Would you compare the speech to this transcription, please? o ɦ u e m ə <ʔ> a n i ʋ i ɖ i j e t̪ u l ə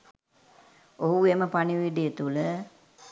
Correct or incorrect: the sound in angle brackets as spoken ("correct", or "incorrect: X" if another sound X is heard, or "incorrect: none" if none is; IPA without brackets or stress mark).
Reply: incorrect: p